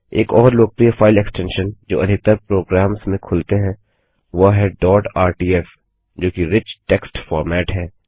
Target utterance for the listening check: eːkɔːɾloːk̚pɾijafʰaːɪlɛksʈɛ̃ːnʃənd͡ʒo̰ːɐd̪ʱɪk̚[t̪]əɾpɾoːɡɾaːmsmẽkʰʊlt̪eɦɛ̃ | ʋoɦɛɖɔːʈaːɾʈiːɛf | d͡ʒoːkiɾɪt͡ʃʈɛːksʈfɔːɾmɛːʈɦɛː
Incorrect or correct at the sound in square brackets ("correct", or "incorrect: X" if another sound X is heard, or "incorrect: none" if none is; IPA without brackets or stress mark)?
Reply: correct